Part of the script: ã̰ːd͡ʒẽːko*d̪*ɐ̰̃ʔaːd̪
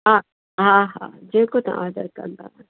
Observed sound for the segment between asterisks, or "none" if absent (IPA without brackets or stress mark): t̪